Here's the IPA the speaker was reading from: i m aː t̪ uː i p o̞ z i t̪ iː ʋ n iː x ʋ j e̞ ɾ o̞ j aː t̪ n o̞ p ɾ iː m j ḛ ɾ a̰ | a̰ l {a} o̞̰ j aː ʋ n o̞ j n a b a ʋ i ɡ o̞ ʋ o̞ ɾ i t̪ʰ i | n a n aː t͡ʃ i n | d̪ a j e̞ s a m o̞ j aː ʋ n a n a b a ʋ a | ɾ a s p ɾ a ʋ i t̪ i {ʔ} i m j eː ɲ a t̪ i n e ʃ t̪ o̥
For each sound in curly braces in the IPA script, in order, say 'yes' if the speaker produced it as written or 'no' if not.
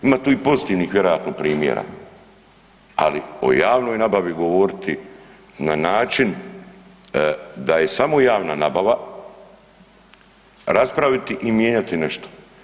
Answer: no, yes

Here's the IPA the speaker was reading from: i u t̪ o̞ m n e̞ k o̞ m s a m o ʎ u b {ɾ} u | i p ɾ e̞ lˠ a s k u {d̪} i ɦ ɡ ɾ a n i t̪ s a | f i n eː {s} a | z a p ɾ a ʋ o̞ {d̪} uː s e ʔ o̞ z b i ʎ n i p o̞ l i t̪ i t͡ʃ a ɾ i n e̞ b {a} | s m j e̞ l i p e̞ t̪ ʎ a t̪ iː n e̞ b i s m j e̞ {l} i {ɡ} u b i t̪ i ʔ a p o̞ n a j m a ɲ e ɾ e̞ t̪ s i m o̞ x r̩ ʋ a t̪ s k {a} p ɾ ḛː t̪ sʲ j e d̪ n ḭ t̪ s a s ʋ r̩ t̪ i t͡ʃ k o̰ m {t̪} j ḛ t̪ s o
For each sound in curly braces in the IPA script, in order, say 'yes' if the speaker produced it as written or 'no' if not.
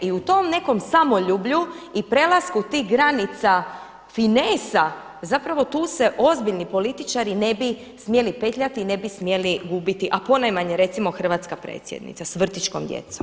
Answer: no, no, yes, no, no, yes, yes, yes, no

